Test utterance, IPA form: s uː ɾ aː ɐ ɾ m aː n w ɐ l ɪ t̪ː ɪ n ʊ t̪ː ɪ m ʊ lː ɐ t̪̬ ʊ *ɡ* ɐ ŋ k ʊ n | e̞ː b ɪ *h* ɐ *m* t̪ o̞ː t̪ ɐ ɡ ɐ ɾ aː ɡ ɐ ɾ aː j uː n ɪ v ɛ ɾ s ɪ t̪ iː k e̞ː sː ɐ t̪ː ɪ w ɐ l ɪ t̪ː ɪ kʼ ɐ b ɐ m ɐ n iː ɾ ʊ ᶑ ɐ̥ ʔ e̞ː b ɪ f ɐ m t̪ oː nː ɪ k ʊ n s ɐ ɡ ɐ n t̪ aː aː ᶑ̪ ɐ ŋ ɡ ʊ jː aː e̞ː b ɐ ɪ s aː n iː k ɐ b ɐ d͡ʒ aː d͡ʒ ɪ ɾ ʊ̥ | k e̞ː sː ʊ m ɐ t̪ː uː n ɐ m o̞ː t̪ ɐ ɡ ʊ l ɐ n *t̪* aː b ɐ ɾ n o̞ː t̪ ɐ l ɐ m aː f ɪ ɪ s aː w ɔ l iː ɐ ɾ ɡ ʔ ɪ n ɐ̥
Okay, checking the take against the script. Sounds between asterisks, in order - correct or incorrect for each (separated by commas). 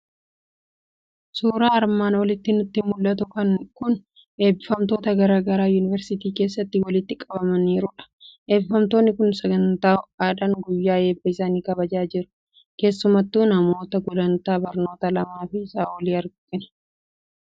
incorrect, incorrect, correct, correct